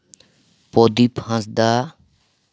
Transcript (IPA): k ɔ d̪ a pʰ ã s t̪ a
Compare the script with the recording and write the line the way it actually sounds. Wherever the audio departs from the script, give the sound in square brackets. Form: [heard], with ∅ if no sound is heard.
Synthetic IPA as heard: [p] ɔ d̪ [i] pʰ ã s [d̪] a